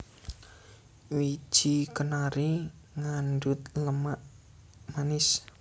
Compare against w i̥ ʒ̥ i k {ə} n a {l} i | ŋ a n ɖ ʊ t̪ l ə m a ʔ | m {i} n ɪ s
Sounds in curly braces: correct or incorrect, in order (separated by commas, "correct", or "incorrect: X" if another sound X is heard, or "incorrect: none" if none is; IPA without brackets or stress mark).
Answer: correct, incorrect: ɾ, incorrect: a